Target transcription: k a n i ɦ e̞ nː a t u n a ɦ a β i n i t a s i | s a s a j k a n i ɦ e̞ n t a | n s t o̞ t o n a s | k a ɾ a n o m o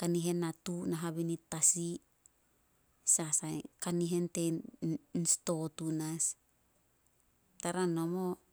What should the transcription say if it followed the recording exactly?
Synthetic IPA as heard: k a n i ɦ e̞ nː a t u n a ɦ a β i n i t a s i | s a s a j k a n i ɦ e̞ n t e | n s t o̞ t u n a s | t a ɾ a n o m o